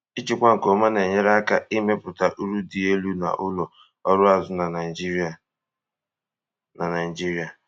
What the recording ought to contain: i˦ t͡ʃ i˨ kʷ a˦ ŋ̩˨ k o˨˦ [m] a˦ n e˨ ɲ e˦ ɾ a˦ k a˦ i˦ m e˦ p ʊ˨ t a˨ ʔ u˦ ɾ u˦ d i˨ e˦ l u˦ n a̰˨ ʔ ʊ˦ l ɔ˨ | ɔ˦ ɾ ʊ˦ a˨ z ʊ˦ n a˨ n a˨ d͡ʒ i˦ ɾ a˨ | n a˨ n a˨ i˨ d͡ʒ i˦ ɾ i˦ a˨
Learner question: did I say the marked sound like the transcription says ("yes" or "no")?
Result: yes